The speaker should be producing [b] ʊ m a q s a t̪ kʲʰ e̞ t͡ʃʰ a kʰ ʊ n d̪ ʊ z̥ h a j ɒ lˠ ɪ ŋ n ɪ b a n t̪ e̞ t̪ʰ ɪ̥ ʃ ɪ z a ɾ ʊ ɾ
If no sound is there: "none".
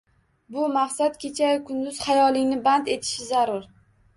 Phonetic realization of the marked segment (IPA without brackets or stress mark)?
b